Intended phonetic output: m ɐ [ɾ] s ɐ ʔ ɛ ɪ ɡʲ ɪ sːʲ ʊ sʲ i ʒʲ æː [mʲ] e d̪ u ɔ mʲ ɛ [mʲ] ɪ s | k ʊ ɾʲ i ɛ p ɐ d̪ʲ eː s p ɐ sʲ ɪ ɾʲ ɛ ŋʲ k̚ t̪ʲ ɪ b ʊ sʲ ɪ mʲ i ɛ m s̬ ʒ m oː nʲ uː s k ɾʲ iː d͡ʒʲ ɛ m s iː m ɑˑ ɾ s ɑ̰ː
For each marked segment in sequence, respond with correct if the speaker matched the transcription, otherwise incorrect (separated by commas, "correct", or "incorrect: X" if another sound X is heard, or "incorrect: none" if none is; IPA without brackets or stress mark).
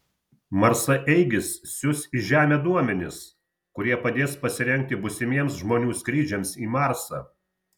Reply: correct, correct, incorrect: nʲ